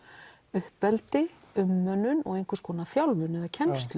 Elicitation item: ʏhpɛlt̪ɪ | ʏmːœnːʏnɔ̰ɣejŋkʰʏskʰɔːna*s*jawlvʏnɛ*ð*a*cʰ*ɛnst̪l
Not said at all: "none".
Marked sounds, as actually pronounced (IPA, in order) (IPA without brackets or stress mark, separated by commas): θ, ð, cʰ